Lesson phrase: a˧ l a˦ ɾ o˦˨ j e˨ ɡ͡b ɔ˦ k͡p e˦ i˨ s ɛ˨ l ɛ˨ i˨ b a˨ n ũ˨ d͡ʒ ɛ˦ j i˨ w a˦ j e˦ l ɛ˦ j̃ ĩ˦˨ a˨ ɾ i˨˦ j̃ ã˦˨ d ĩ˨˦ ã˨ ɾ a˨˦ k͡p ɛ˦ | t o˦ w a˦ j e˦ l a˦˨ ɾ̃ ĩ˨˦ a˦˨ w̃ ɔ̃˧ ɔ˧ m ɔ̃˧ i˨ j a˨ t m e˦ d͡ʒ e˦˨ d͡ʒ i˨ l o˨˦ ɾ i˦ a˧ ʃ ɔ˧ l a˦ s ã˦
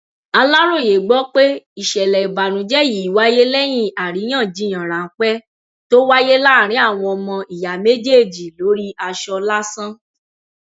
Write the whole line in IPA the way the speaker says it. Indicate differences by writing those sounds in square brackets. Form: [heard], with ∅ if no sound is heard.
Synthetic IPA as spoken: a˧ l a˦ ɾ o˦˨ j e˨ ɡ͡b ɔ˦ k͡p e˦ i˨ [ʃ] ɛ˨ l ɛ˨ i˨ b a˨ n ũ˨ d͡ʒ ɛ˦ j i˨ w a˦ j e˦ l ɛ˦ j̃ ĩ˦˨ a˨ ɾ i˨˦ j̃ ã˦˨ [d͡ʒ] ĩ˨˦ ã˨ ɾ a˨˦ k͡p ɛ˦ | t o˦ w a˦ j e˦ l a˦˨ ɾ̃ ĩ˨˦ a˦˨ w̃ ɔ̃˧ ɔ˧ m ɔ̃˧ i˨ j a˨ [∅] m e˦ d͡ʒ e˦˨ d͡ʒ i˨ l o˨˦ ɾ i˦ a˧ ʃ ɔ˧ l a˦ s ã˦

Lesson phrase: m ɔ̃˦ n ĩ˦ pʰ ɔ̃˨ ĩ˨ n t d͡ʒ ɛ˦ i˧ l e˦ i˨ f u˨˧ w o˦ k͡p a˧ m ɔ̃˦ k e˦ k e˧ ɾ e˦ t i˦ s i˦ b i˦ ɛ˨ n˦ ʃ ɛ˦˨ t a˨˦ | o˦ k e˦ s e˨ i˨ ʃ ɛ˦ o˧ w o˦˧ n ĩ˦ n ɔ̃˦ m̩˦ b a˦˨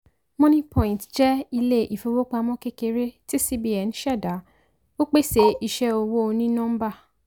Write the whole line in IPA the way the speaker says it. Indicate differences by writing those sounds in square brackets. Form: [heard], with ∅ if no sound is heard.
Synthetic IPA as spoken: m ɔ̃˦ n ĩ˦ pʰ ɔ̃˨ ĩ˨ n t d͡ʒ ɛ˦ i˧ l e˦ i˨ f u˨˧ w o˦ k͡p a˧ m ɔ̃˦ k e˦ k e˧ ɾ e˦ t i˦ s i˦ b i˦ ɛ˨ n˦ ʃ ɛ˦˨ [d] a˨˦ | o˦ [k͡p] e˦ s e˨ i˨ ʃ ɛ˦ o˧ w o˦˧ n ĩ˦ n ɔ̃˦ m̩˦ b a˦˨

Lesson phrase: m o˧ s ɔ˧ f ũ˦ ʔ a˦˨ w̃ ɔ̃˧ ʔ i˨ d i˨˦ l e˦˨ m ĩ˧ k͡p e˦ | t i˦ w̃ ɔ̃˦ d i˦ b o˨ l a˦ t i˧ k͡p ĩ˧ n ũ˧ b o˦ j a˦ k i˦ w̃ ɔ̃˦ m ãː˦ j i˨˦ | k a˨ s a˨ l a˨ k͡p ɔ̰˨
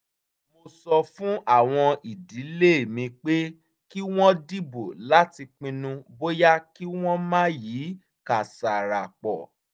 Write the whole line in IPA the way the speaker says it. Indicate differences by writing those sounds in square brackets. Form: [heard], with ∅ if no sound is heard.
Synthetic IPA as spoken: m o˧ s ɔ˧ f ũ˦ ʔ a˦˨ w̃ ɔ̃˧ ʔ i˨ d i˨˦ l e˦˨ m ĩ˧ k͡p e˦ | [k] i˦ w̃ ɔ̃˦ d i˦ b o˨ l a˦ t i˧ k͡p ĩ˧ n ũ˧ b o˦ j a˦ k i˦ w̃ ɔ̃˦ m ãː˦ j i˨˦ | k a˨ s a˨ [ɾ] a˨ k͡p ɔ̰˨

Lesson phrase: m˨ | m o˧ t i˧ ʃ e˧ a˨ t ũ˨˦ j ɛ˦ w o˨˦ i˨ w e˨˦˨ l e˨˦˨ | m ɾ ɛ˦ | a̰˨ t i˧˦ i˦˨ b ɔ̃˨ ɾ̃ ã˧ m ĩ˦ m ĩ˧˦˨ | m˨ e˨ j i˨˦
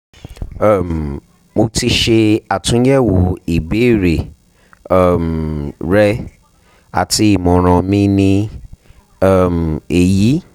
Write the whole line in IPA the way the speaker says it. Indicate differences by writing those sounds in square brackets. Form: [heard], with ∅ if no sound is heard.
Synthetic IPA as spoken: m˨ | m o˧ t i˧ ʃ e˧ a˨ t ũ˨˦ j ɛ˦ w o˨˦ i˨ [b] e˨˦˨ [ɾ] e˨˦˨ | m ɾ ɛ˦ | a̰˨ t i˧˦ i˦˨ [m] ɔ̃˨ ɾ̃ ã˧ m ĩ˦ [n] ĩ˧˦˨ | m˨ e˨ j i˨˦

